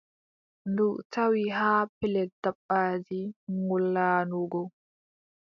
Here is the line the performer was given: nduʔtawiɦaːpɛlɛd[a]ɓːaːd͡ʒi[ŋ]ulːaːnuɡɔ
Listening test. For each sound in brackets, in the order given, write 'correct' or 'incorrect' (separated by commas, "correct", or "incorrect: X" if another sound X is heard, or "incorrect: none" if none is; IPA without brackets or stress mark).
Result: correct, correct